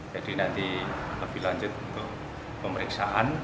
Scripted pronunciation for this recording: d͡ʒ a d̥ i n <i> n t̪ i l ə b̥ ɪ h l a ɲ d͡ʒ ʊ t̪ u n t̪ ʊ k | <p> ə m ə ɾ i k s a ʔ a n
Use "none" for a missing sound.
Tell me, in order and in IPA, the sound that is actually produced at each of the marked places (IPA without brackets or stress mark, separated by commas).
a, p